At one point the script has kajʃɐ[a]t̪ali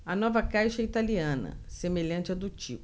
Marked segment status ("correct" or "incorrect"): incorrect